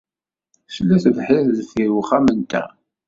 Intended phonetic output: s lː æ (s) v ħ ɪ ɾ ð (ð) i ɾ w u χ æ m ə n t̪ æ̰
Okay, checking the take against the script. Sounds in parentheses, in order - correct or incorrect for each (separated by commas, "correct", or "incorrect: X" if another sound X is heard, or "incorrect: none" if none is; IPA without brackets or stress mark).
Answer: incorrect: θ, incorrect: θ